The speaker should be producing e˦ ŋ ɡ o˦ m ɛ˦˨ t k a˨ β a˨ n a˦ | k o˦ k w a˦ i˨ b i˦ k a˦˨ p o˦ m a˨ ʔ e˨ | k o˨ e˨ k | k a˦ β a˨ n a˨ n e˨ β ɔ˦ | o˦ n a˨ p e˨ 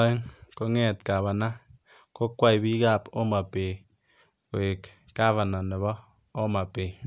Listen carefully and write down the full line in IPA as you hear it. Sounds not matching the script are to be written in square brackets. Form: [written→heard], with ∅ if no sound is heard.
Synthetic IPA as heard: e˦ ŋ [ɡ→k] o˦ [m→ŋ] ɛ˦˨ t k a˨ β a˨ n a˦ | k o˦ k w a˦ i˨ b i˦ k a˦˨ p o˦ m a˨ [ʔ→p] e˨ | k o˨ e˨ k | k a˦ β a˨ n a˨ n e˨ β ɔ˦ | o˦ [n→m] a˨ p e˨